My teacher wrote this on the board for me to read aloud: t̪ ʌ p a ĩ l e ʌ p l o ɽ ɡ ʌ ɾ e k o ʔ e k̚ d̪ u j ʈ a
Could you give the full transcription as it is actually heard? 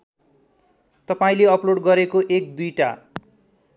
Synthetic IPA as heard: t̪ ʌ p a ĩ l e ʌ p l o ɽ ɡ ʌ ɾ e k o ʔ e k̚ d̪ u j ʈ a